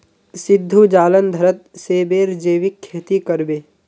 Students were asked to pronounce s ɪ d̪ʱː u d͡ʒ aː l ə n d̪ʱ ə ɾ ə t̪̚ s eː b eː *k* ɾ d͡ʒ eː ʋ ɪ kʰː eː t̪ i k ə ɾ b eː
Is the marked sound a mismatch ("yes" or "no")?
yes